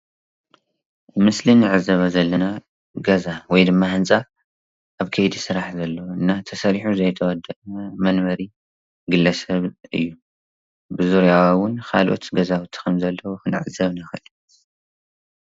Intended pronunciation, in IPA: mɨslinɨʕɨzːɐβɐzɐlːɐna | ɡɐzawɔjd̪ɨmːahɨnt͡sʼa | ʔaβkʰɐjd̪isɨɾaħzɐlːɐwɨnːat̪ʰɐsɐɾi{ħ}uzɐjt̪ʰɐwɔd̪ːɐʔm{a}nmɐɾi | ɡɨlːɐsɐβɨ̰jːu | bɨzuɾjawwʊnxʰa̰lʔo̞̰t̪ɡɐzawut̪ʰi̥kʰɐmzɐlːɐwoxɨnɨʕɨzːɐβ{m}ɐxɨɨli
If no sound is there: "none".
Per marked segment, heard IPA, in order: ħ, ɐ, n

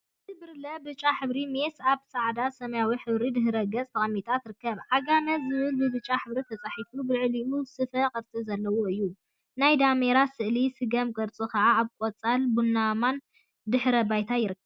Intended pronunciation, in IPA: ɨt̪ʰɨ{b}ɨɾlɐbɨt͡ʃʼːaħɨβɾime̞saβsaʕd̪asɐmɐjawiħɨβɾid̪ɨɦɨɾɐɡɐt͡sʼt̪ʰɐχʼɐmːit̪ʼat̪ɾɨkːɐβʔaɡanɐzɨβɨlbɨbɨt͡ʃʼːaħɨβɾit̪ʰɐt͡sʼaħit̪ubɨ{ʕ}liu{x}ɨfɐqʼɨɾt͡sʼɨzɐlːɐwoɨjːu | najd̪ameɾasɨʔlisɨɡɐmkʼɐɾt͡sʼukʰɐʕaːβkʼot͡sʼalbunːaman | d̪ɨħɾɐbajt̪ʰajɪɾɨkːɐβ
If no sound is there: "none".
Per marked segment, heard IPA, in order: b, ʕ, s

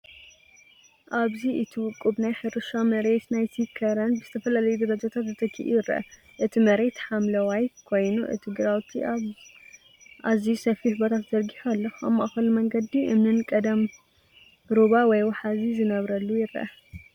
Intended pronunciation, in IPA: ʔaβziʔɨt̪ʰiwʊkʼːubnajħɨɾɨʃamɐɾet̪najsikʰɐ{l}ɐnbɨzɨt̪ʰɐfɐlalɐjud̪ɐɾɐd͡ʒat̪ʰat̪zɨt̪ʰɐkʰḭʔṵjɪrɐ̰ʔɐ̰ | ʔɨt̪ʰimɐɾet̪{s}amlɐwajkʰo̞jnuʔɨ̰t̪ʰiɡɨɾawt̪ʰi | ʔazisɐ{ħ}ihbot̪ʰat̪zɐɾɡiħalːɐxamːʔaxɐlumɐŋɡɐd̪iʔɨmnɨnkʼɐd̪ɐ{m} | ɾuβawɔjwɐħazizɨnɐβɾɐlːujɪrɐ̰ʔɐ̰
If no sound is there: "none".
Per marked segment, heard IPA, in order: ɾ, ħ, f, m

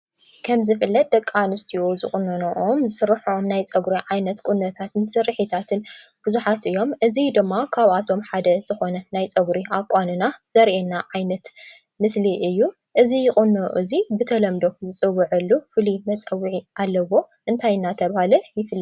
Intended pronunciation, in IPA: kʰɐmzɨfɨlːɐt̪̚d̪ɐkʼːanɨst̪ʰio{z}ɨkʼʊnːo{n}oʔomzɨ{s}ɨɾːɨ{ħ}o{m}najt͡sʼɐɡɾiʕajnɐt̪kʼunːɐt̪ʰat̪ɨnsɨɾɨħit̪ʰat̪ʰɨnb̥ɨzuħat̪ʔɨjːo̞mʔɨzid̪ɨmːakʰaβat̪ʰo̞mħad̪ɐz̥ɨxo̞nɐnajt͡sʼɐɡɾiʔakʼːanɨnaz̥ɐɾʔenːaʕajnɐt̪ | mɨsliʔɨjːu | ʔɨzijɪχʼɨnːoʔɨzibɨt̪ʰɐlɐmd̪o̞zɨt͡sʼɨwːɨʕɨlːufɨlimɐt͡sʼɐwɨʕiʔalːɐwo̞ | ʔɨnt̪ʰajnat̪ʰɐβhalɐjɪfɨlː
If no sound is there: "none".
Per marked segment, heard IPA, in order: z, n, s, ħ, m

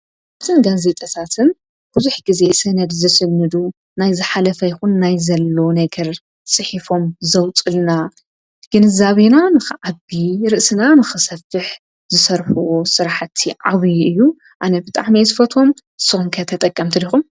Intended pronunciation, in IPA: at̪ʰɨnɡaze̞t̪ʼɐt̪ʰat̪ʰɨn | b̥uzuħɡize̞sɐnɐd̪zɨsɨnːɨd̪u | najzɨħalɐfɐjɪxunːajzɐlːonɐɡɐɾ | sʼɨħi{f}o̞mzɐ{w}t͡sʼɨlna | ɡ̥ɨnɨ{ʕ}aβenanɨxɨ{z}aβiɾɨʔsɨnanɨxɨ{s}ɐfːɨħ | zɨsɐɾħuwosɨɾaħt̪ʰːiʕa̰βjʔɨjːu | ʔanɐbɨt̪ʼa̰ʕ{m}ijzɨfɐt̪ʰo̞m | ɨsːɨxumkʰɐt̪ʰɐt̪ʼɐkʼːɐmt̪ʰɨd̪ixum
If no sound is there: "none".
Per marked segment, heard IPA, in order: f, w, z, ʕ, s, m

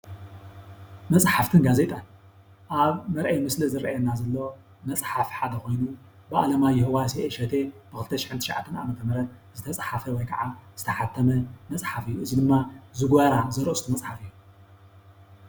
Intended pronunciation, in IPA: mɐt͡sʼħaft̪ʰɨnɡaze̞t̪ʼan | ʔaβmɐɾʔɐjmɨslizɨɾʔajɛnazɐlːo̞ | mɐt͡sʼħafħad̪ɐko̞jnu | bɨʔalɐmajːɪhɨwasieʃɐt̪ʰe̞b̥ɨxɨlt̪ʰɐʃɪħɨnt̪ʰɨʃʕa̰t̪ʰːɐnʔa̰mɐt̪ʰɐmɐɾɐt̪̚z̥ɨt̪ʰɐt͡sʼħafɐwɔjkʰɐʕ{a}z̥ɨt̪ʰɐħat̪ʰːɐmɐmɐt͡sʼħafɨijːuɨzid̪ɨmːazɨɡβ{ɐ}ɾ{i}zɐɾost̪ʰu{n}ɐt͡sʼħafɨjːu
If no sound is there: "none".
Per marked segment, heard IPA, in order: a, a, a, m

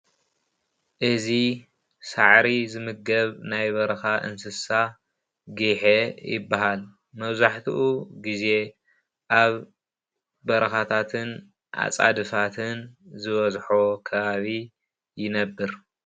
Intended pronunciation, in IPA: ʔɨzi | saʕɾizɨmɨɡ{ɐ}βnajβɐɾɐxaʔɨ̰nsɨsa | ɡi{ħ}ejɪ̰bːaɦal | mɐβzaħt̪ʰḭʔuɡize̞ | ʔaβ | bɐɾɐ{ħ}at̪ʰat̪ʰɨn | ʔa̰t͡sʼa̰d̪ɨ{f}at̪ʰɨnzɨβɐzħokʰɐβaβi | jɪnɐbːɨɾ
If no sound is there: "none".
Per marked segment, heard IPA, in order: ɐ, ħ, x, f

